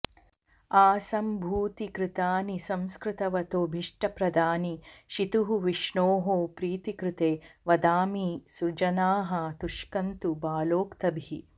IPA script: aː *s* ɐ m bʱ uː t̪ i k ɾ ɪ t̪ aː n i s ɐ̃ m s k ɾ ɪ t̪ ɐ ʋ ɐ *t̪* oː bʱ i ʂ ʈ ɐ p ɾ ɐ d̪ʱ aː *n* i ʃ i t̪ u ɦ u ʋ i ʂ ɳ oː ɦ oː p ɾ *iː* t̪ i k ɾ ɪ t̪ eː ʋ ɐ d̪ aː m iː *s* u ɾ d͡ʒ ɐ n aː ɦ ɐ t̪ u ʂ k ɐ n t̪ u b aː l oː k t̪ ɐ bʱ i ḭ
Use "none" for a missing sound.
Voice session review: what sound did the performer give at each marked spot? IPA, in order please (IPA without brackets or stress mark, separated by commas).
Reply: s, t̪, n, iː, s